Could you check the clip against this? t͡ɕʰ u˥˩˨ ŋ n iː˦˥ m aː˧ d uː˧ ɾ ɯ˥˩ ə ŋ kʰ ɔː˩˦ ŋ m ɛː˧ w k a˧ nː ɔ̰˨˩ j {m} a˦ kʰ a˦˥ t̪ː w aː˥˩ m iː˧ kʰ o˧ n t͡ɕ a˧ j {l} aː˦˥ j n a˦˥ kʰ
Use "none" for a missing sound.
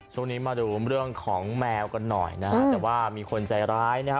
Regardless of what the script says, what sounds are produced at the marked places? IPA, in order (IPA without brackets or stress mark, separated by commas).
n, ɾ